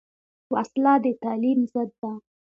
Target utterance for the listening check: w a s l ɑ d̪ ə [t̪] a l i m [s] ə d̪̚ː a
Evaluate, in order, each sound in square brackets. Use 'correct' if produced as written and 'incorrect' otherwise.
correct, incorrect

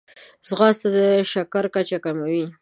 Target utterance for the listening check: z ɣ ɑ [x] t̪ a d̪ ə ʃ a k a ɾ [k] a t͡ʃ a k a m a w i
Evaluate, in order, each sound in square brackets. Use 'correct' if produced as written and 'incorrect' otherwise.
incorrect, correct

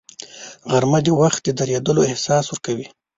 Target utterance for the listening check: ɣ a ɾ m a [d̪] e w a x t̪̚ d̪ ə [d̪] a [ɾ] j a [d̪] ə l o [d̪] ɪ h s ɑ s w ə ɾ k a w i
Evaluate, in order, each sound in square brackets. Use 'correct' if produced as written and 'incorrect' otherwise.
correct, correct, correct, correct, incorrect

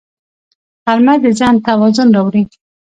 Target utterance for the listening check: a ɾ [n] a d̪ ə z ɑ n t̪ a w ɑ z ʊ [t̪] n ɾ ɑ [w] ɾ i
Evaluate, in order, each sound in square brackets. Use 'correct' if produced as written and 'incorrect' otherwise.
incorrect, incorrect, correct

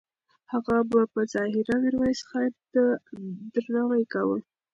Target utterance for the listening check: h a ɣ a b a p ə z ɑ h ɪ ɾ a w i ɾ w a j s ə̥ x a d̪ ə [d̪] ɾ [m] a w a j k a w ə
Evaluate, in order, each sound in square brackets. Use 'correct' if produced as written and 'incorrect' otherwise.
correct, incorrect

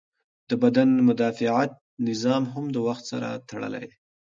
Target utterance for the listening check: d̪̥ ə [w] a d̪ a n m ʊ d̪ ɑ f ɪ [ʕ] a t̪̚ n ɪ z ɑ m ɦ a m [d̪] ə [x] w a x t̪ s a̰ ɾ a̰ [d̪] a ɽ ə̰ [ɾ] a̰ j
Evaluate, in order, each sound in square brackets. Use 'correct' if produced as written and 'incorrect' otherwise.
incorrect, correct, correct, incorrect, incorrect, incorrect

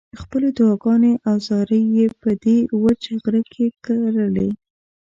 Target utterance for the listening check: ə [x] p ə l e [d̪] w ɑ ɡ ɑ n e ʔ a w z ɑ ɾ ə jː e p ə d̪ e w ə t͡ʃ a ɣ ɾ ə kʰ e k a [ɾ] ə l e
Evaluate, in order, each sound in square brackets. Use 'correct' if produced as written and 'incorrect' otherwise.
correct, correct, correct

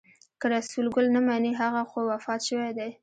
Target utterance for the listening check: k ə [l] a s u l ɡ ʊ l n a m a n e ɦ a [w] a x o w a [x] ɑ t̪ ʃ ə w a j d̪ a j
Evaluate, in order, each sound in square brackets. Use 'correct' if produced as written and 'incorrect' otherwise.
incorrect, incorrect, incorrect

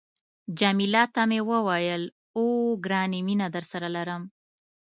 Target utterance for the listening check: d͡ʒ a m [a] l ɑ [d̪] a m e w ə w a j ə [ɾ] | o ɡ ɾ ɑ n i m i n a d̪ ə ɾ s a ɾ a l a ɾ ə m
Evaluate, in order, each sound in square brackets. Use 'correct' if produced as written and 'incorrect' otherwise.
incorrect, incorrect, incorrect

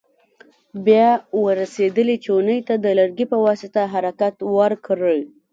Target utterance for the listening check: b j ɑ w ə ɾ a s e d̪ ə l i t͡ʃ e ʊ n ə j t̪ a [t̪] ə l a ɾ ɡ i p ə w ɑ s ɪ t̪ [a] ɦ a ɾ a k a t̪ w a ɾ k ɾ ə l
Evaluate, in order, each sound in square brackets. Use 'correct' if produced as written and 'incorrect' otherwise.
incorrect, correct

